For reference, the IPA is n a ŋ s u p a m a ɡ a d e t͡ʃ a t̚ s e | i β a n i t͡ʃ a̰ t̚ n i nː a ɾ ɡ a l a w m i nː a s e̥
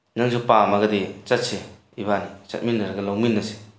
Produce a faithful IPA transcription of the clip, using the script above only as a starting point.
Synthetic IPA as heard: n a ŋ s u p a m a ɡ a d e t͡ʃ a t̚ s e | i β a n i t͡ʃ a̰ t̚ m i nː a ɾ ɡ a l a w m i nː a s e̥